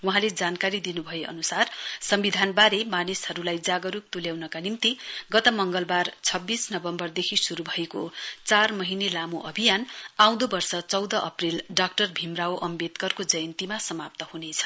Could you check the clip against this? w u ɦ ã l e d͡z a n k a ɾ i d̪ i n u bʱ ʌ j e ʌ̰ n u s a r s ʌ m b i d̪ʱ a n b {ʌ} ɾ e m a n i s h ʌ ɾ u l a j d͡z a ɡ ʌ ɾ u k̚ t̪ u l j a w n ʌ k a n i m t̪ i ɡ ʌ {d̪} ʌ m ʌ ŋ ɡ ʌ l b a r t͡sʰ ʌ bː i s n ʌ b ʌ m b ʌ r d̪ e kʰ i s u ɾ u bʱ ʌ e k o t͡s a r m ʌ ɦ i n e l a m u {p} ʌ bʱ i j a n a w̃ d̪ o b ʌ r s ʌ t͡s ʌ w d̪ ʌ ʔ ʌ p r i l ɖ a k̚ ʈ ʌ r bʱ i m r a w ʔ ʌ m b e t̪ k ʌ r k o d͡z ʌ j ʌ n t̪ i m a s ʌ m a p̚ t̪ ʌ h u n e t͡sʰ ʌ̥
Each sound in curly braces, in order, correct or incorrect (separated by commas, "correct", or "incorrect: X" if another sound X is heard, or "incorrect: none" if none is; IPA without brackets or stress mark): incorrect: a, incorrect: t̪, incorrect: ʔ